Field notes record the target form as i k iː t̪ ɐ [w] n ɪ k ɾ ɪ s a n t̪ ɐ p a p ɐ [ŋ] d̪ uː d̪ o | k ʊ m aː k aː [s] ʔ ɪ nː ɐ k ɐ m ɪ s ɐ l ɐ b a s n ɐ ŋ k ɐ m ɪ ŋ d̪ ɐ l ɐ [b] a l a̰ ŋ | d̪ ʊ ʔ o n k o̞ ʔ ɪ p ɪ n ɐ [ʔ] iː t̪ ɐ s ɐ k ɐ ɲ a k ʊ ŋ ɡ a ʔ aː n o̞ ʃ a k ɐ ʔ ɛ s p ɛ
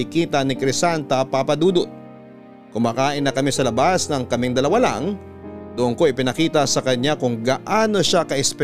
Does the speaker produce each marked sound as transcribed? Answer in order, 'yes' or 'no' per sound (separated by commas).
no, no, no, no, no